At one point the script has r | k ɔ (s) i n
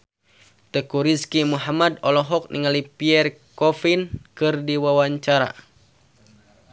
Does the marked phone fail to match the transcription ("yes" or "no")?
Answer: yes